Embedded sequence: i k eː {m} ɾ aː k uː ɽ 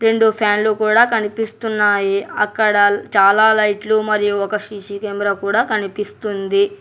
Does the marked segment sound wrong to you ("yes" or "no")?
no